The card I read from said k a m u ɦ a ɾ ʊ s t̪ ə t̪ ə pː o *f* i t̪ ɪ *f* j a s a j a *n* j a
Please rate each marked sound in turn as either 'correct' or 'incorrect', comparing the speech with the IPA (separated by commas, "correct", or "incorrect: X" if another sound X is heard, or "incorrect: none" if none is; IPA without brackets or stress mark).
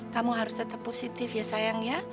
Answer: incorrect: s, correct, incorrect: ŋ